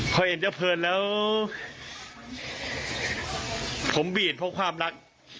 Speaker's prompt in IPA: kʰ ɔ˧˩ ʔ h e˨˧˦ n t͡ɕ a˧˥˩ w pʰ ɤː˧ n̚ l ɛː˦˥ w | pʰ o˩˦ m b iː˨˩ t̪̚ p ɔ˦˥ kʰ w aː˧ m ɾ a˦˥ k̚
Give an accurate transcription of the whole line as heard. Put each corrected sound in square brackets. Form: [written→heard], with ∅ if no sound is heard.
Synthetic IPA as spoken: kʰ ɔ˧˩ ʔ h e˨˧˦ n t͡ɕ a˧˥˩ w pʰ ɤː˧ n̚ l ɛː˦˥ w | pʰ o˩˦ m b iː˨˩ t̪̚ [p→pʰ] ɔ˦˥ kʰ w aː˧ m ɾ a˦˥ k̚